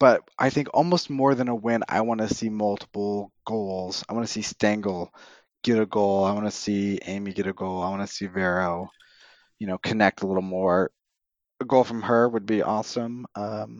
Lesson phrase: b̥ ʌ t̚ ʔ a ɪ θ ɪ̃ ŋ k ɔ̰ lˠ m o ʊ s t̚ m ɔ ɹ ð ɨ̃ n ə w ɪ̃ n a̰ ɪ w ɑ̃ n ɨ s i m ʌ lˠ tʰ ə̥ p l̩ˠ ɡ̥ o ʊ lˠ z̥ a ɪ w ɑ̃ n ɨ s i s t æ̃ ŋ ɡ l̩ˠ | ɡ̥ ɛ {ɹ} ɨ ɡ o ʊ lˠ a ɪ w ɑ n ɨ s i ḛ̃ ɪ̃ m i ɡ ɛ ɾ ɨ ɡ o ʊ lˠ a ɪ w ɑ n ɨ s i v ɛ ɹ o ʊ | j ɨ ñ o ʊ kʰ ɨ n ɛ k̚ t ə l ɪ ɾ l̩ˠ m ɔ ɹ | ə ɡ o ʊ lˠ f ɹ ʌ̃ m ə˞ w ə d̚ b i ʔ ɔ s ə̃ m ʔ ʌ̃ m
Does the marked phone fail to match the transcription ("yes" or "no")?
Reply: yes